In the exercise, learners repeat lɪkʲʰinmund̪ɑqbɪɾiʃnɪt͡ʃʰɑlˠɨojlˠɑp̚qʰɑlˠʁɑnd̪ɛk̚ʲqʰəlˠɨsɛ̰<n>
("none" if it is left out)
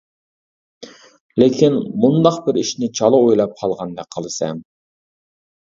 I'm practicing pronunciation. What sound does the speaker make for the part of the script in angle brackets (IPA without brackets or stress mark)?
m